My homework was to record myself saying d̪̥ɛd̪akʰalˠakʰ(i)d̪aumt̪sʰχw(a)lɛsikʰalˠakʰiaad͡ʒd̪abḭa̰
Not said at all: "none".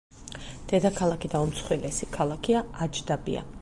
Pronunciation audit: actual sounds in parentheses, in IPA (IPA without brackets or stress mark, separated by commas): i, i